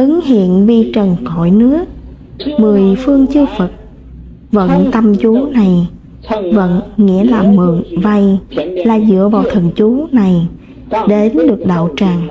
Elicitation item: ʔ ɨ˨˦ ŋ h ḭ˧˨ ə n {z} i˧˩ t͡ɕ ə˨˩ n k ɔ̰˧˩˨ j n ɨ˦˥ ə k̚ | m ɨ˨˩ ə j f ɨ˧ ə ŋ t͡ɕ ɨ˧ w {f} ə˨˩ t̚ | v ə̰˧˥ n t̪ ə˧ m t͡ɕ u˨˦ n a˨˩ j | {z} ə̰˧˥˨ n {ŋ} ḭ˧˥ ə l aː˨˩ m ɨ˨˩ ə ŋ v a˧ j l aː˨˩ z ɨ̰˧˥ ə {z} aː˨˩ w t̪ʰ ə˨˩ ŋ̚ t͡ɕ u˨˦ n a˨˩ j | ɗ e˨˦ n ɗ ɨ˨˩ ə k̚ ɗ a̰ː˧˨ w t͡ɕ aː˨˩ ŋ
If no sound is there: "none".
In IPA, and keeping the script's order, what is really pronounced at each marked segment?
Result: v, f, v, ŋ, v

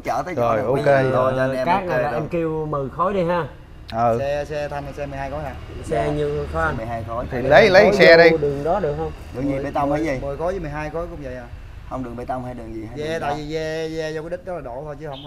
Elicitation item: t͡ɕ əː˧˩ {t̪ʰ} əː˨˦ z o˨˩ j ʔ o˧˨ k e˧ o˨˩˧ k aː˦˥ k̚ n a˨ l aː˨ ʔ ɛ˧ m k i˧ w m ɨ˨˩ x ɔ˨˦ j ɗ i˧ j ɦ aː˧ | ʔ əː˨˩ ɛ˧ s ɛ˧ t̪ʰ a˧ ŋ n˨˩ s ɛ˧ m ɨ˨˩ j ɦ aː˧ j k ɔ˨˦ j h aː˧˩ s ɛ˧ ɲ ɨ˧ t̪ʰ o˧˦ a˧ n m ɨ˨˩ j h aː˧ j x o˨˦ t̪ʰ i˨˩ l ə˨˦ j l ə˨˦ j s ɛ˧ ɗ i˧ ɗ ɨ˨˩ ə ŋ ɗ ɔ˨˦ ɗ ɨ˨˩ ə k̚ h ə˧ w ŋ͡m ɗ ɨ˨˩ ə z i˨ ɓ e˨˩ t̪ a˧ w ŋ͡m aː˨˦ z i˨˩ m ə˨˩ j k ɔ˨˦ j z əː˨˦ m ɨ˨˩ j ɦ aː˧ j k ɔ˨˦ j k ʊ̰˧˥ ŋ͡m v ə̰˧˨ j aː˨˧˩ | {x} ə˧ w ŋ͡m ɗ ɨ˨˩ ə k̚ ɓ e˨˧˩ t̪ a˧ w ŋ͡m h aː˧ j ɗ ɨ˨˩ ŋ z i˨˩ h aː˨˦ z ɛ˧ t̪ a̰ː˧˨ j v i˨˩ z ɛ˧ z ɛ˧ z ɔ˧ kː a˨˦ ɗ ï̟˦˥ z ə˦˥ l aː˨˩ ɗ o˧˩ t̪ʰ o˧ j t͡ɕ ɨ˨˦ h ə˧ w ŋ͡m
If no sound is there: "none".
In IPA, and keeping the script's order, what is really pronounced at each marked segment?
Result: t̪, h

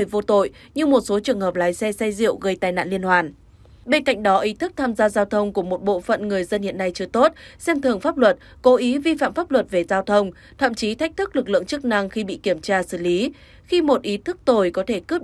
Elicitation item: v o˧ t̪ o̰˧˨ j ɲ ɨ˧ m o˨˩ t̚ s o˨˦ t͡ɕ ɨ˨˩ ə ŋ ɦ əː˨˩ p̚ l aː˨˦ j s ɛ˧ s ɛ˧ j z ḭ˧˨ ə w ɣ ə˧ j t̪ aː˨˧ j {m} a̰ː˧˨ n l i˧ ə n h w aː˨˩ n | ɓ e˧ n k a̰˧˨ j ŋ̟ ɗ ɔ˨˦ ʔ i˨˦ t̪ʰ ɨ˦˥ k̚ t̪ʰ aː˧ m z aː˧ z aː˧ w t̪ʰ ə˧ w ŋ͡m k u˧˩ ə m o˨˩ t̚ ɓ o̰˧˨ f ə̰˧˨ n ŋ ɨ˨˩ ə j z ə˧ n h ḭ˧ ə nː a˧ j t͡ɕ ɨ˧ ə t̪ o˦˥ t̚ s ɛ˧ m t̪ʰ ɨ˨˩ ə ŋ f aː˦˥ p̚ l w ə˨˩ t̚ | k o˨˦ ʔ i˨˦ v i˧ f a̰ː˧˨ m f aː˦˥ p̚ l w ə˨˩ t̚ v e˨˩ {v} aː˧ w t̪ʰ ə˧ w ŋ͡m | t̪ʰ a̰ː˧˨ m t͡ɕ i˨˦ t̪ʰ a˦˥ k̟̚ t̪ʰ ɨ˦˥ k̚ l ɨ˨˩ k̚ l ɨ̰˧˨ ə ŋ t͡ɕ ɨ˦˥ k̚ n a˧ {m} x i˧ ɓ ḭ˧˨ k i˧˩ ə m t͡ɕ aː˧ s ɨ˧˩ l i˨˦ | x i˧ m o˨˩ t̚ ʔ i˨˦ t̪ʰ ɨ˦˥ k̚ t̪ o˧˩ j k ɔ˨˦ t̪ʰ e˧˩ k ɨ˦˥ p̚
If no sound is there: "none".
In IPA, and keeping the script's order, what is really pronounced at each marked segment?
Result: n, z, ŋ

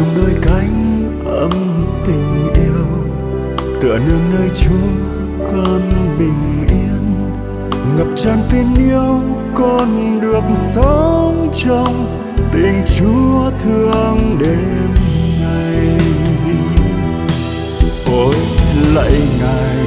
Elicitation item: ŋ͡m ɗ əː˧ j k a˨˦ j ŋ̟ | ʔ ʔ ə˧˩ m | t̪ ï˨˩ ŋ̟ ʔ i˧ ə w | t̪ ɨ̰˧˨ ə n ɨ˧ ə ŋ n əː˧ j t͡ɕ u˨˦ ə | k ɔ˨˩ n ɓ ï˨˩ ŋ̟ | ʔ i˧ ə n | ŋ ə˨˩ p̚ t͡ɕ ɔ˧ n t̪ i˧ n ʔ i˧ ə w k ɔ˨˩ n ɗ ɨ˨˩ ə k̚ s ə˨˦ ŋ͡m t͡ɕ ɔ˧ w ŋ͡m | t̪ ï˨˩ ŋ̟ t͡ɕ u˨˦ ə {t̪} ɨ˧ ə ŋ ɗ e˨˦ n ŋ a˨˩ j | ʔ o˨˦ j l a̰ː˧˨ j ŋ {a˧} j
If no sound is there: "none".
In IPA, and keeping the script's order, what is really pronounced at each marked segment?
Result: t̪ʰ, a˨˩

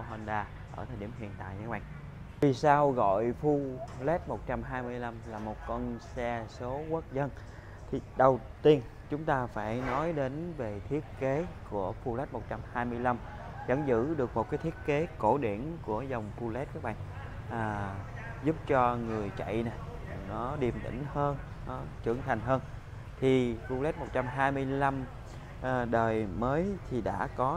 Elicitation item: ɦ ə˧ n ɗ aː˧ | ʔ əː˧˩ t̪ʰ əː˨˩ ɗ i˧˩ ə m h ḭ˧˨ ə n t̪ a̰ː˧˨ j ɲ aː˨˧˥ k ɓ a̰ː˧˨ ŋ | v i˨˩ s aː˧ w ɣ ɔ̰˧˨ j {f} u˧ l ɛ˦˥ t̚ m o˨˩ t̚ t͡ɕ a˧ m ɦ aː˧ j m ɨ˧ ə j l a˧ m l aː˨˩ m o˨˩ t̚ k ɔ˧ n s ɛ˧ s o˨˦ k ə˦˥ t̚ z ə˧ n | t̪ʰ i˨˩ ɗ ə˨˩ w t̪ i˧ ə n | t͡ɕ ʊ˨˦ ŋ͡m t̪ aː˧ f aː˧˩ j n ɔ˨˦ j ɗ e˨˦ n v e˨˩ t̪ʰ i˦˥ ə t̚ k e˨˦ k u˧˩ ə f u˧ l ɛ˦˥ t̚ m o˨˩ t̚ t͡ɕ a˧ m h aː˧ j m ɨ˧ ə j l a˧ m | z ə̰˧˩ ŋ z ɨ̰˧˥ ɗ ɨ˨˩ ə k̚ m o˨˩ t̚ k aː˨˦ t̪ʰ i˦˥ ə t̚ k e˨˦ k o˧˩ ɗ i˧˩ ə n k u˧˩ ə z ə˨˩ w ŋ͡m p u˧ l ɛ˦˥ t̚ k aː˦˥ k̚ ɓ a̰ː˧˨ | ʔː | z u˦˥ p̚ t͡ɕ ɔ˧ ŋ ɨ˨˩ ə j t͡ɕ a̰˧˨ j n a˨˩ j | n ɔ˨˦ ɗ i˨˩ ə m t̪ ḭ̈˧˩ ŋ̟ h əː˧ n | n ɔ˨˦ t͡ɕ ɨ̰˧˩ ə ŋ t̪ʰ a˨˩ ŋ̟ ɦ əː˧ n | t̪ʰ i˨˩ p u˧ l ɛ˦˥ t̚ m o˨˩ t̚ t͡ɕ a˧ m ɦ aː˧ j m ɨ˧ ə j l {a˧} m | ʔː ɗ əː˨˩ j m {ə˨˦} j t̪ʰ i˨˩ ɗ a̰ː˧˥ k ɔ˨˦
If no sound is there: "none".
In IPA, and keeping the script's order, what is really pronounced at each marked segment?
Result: f, a˧, əː˨˦

